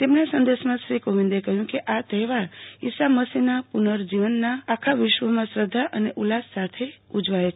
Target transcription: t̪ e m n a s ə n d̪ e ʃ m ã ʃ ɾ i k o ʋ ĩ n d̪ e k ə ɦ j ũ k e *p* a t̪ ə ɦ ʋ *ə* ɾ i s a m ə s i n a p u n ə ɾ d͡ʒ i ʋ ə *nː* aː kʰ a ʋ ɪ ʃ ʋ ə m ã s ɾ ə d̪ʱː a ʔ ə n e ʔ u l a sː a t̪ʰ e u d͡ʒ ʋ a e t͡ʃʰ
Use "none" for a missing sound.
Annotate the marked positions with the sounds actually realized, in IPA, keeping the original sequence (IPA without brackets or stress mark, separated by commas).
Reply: ʔ, a, nː